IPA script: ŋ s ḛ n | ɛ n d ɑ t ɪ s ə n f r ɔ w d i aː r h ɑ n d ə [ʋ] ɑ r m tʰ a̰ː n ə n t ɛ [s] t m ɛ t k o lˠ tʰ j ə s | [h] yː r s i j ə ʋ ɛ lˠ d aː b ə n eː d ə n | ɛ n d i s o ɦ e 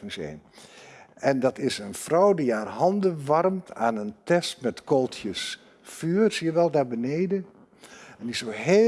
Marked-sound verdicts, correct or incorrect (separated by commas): correct, correct, incorrect